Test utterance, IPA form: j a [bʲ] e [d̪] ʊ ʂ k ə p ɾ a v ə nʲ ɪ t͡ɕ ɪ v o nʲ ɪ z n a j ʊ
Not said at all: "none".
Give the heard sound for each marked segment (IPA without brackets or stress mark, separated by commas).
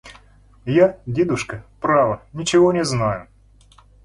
dʲ, d̪